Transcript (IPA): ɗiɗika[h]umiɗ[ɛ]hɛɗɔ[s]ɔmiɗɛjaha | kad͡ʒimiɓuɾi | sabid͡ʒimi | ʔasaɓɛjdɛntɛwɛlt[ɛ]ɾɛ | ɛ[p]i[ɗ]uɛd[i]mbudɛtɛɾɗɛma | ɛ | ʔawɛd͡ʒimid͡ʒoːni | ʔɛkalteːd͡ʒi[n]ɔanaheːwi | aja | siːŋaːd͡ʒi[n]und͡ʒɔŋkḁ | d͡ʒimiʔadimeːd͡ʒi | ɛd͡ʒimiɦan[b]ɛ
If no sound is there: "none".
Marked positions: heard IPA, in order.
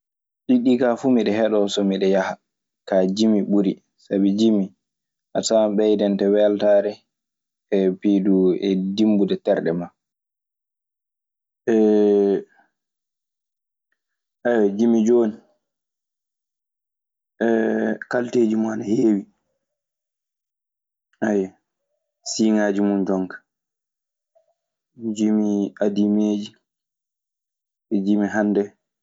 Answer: f, ɛ, s, a, p, d, i, m, m, d

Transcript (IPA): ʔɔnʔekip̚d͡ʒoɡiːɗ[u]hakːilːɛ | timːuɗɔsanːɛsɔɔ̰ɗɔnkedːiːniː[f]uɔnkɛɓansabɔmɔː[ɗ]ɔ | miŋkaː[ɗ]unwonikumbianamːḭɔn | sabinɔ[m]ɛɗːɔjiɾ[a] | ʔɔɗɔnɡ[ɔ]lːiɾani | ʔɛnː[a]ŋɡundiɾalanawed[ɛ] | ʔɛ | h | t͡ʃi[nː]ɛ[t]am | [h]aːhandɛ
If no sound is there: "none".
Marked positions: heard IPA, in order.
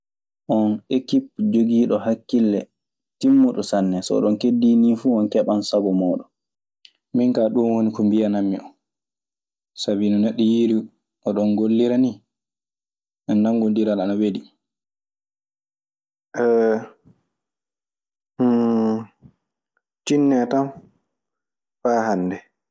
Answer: ɔ, f, ɗ, ɗ, n, i, o, a, i, nː, t, f

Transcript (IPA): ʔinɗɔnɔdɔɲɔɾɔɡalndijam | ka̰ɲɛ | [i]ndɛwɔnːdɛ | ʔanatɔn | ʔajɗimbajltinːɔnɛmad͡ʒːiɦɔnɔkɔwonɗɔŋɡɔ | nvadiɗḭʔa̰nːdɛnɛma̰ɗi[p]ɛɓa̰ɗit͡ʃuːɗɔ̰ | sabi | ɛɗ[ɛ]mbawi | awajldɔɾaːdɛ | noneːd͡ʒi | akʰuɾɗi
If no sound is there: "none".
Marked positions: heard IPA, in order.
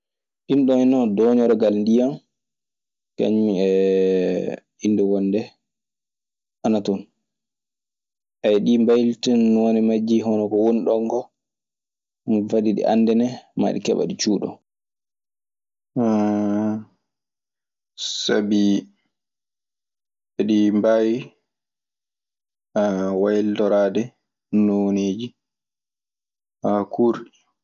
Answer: i, k, i

